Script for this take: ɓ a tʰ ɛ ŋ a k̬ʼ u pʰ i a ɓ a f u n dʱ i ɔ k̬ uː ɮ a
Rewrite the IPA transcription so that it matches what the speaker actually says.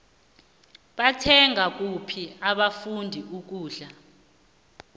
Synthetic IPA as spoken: ɓ a tʰ ɛ ŋ a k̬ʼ u pʰ i a ɓ a f u n dʱ i u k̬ uː ɮ a